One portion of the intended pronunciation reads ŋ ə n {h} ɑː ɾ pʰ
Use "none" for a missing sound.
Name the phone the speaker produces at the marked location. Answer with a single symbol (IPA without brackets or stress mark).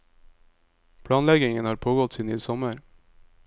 h